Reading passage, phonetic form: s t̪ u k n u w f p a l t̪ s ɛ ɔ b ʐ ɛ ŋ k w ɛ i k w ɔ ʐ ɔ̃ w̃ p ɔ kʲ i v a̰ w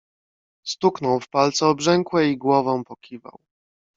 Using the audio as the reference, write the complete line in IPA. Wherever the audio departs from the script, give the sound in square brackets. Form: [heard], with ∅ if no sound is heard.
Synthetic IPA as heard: s t̪ u k n [ɔ] w f p a l t̪ s ɛ ɔ b ʐ ɛ ŋ k w ɛ i [ɡ] w ɔ [v] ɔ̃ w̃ p ɔ kʲ i v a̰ w